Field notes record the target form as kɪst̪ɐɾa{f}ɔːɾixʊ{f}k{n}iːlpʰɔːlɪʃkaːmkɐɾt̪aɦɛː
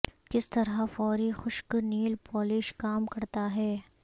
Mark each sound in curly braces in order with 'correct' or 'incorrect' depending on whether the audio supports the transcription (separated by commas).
correct, incorrect, correct